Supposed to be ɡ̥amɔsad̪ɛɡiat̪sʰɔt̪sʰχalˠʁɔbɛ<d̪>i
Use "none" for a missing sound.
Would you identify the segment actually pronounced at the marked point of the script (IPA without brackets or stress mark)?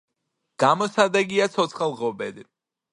d̪